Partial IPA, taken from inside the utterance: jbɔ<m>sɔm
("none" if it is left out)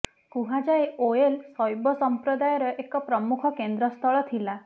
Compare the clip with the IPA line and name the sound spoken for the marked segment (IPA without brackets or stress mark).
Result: none